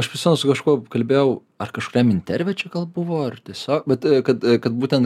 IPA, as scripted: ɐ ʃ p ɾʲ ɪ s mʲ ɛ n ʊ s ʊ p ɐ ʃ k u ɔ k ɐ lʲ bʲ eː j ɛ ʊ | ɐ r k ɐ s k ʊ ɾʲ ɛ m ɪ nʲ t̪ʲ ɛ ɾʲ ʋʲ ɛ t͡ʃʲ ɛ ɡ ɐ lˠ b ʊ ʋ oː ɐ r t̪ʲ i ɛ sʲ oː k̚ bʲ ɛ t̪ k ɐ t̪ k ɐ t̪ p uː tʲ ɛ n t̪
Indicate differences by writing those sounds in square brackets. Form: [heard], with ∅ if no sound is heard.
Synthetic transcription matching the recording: ɐ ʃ p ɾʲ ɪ s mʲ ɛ n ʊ s ʊ [k] ɐ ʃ k u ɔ k ɐ lʲ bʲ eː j ɛ ʊ | ɐ r k ɐ [ʃ] k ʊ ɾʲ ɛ m ɪ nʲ t̪ʲ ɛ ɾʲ ʋʲ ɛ t͡ʃʲ ɛ ɡ ɐ lˠ b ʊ ʋ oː ɐ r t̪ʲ i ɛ sʲ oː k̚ bʲ ɛ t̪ k ɐ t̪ k ɐ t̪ [b] uː tʲ ɛ n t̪